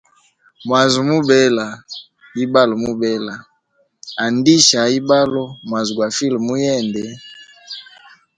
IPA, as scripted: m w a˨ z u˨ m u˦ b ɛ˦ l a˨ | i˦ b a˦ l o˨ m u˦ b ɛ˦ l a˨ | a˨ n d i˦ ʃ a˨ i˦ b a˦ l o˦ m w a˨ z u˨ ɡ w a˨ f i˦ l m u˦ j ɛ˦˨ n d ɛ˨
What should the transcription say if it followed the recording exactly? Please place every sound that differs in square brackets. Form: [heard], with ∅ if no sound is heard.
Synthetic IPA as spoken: m w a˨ z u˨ m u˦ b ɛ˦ l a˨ | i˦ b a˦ l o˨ m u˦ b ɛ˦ l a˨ | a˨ n d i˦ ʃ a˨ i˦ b a˦ l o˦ m w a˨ z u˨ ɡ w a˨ f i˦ l m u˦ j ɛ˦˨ n d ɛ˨